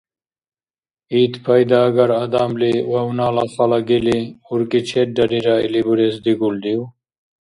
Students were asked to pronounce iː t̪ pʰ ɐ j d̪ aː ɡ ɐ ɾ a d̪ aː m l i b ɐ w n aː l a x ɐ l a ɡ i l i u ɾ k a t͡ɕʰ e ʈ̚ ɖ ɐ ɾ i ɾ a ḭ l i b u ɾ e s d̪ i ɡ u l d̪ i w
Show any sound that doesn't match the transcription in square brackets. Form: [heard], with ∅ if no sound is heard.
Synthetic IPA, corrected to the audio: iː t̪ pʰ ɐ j d̪ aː ɡ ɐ ɾ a d̪ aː m l i [w] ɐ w n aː l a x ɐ l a ɡ i l i u ɾ k [i] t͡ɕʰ e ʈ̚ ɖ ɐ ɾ i ɾ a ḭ l i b u ɾ e s d̪ i ɡ u l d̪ i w